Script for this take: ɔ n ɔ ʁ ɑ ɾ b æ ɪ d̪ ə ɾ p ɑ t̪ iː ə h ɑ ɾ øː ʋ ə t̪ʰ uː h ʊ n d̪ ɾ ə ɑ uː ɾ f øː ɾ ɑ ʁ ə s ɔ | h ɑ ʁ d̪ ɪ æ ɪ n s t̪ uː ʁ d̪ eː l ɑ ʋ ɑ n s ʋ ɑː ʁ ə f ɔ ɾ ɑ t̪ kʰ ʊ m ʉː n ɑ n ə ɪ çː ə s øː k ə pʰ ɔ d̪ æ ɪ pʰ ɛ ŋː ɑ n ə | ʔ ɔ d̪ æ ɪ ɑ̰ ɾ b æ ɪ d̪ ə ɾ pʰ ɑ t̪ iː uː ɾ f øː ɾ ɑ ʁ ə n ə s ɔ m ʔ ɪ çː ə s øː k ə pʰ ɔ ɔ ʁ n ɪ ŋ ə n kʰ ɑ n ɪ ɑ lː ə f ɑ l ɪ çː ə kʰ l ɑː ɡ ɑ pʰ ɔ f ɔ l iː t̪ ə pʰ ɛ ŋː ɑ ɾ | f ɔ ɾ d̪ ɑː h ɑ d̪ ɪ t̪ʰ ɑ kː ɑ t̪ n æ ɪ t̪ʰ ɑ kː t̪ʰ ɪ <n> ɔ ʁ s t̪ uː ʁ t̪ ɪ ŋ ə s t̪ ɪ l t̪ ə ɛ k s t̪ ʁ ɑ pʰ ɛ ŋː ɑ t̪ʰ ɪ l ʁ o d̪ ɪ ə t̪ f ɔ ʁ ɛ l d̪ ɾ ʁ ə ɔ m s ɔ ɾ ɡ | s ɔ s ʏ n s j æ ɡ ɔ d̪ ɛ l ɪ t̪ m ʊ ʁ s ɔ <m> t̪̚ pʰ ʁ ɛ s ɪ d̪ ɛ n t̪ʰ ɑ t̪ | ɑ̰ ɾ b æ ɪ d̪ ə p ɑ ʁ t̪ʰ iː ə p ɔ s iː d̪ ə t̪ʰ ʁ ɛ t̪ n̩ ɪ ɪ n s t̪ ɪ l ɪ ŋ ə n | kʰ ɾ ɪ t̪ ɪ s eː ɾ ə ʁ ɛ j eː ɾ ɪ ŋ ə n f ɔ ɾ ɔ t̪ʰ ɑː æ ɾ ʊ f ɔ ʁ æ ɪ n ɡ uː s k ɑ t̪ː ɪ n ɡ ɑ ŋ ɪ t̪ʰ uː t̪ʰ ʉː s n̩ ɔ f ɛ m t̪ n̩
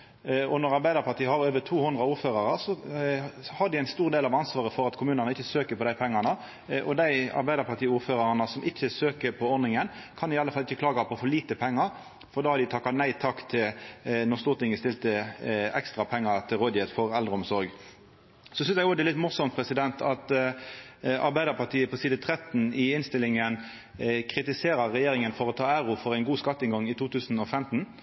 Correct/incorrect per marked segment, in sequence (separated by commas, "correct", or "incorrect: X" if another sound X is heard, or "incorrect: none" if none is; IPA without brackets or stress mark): correct, correct